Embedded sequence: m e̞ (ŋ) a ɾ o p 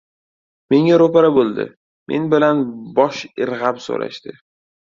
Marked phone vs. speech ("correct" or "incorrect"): correct